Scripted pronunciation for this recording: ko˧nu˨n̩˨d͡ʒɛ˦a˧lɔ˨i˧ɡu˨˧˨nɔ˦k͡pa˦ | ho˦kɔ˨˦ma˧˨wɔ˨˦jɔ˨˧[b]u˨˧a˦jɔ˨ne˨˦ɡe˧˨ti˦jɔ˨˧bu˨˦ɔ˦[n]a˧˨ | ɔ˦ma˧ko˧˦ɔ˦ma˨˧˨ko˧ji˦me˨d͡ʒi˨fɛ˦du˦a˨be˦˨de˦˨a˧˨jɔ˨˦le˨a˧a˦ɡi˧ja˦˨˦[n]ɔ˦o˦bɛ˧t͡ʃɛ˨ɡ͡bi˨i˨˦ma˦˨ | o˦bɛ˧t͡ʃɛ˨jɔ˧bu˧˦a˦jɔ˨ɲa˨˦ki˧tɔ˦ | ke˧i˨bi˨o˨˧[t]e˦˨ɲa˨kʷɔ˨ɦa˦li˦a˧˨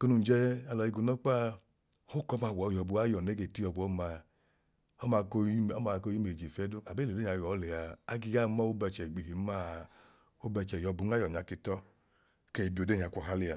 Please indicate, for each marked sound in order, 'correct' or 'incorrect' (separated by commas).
correct, incorrect, incorrect, incorrect